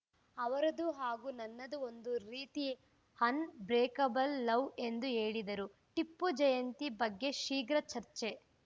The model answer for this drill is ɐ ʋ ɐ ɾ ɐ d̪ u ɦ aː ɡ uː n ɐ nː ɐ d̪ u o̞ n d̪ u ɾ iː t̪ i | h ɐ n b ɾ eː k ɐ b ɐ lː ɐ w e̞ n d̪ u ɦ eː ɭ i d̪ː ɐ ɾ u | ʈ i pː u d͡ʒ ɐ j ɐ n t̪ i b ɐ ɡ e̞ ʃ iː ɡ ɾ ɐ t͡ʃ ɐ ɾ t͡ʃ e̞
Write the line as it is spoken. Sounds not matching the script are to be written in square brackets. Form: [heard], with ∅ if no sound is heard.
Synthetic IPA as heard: ɐ ʋ ɐ ɾ ɐ d̪ u ɦ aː ɡ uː n ɐ nː ɐ d̪ u o̞ n d̪ u ɾ iː t̪ i | h ɐ n b ɾ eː k ɐ b ɐ lː ɐ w e̞ n d̪ u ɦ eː ɭ i [d̪] ɐ ɾ u | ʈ i pː u d͡ʒ ɐ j ɐ n t̪ i b ɐ [ɡː] e̞ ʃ iː ɡ ɾ ɐ t͡ʃ ɐ ɾ t͡ʃ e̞

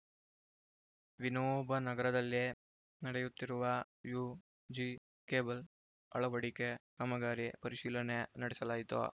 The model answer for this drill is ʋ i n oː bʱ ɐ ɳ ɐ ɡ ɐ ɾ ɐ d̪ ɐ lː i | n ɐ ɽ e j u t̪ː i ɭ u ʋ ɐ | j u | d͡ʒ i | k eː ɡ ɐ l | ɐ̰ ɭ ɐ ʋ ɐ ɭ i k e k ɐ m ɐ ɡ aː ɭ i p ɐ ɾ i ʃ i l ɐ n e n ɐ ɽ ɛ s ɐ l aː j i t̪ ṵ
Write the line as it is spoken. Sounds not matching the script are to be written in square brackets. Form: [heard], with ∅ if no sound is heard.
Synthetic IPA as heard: ʋ i n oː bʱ ɐ [n] ɐ ɡ ɐ ɾ ɐ d̪ ɐ lː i | n ɐ ɽ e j u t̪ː i [ɾ] u ʋ ɐ | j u | d͡ʒ i | k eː [b] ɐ l | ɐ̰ ɭ ɐ ʋ ɐ [ɽ] i k e k ɐ m ɐ ɡ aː [ɾ] i p ɐ ɾ i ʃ [iː] l ɐ n e n ɐ ɽ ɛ s ɐ l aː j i t̪ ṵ

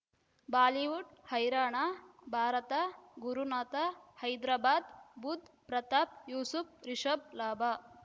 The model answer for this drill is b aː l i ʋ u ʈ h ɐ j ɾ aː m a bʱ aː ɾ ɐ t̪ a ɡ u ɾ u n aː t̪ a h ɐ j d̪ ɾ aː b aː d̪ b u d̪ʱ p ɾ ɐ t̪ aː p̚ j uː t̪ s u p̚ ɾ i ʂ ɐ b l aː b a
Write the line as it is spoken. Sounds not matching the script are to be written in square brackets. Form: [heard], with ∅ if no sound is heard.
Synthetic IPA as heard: b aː l i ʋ u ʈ h ɐ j ɾ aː [ɳ] a bʱ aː ɾ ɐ t̪ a ɡ u ɾ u n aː t̪ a h ɐ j d̪ ɾ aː b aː d̪ b u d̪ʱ p ɾ ɐ t̪ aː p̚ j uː [∅] s u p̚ ɾ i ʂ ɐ b l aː b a

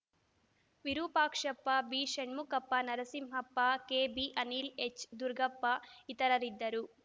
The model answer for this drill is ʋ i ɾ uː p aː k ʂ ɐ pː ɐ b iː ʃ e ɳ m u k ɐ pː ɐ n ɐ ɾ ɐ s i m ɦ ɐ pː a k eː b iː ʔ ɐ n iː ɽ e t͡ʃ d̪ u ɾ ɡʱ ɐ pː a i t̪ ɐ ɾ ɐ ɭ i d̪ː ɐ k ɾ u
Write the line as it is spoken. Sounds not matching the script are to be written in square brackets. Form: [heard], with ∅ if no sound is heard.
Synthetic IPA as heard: ʋ i ɾ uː p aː k ʂ ɐ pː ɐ b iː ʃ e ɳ m u k ɐ pː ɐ n ɐ ɾ ɐ s i m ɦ ɐ pː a k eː b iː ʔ ɐ n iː [l] e t͡ʃ d̪ u ɾ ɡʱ ɐ pː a i t̪ ɐ ɾ ɐ [ɾ] i d̪ː ɐ [∅] ɾ u

